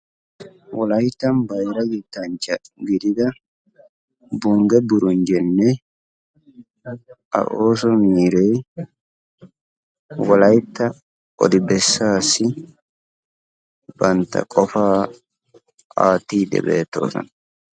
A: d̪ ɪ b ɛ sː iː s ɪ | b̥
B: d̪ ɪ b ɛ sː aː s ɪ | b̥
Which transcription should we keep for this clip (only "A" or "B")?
B